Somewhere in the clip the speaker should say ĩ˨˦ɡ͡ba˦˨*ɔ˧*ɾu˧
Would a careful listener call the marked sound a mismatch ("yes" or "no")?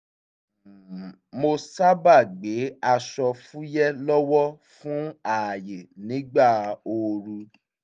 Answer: yes